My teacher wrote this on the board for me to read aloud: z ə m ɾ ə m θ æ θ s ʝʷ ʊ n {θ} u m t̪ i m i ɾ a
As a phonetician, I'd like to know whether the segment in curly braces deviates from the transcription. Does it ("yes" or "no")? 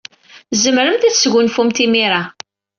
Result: yes